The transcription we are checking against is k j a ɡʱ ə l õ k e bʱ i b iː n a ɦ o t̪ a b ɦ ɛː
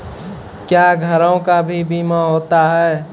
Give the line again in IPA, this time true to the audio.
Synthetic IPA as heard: k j a ɡʱ ə ɾ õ k a bʱ i b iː m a ɦ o t̪ a ɦ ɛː

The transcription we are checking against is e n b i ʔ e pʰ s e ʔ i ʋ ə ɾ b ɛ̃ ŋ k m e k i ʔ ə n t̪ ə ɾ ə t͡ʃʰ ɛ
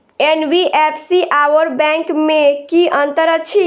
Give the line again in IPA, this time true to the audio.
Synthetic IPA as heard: e n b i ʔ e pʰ s i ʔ a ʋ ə ɾ b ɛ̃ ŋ k m e k i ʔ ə n t̪ ə ɾ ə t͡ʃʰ i

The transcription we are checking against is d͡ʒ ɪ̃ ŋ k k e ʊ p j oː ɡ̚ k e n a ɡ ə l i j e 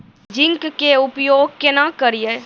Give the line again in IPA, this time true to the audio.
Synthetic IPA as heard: d͡ʒ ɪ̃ ŋ k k e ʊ p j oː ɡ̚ k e n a k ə ɾ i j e

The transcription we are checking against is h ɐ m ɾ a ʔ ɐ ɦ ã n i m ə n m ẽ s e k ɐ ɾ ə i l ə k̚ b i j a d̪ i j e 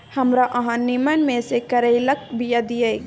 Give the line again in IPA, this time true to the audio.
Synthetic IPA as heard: h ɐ m ɾ a ʔ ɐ ɦ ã n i m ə n m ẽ s e k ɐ ɾ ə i l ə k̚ b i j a d̪ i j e

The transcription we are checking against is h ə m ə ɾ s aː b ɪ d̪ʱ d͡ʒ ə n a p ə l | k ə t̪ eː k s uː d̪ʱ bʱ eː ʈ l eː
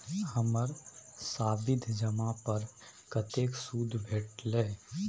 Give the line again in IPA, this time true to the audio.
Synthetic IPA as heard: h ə m ə ɾ s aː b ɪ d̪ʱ d͡ʒ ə m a p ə ɾ | k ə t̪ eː k s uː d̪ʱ bʱ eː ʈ l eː

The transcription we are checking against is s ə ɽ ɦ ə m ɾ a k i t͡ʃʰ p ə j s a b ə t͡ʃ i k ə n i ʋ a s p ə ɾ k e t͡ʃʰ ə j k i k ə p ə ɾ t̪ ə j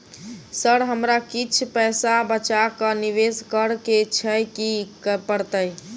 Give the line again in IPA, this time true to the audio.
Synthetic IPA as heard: s ə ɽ ɦ ə m ɾ a k i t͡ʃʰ p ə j s a b ə t͡ʃ a k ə n i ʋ e s k ə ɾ k e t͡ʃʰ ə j k i k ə p ə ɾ t̪ ə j

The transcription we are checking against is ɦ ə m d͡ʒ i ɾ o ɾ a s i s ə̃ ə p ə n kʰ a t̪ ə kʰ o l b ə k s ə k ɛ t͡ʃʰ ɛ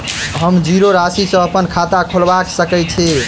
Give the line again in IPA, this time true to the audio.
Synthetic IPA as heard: ɦ ə m d͡ʒ i ɾ o ɾ a s i s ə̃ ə p ə n kʰ a t̪ a kʰ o l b a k s ə k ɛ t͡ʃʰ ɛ

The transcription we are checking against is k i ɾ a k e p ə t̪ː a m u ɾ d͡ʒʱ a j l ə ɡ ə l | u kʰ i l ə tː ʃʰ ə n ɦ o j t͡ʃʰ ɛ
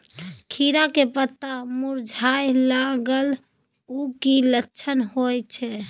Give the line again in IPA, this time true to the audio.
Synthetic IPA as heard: kʰ i ɾ a k e p ə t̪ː a m u ɾ d͡ʒʱ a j l a ɡ ə l | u k i l ə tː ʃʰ ə n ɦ o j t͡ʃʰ ɛ

